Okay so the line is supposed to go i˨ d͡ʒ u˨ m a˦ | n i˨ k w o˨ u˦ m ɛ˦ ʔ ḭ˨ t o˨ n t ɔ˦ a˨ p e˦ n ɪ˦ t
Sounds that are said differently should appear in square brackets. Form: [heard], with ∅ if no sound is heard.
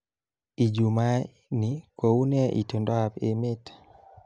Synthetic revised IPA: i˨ d͡ʒ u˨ m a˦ | n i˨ k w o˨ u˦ [n] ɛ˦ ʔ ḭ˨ t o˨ n [d] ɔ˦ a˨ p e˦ [m] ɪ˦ t